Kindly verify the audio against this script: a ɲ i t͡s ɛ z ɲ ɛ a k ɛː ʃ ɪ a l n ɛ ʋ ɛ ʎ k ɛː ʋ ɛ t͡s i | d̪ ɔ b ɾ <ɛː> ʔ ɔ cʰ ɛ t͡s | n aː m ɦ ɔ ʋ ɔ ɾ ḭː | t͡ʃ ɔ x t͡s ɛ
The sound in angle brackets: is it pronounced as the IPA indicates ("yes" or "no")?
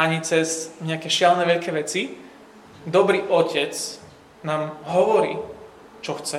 no